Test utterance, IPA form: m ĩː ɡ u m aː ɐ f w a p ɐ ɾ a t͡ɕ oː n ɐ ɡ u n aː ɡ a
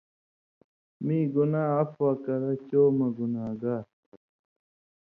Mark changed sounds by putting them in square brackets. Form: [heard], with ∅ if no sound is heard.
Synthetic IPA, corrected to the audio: m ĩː ɡ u [n] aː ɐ f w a [k] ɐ ɾ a t͡ɕ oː [m] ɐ ɡ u n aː ɡ a